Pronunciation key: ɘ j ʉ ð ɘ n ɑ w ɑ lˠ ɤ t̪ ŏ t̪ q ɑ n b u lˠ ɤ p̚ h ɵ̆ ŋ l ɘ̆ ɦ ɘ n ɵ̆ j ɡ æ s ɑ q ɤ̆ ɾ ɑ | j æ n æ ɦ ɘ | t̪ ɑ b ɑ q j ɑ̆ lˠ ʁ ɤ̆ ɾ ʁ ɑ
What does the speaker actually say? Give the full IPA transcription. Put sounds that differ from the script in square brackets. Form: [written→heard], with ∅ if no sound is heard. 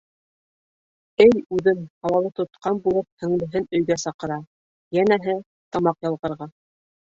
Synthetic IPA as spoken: ɘ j ʉ ð ɘ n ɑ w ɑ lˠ ɤ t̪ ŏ t̪ q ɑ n b u lˠ ɤ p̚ h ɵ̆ ŋ l ɘ̆ ɦ ɘ n ɵ̆ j ɡ æ s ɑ q ɤ̆ ɾ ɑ | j æ n æ ɦ ɘ | t̪ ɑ [b→m] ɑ q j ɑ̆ lˠ ʁ ɤ̆ ɾ ʁ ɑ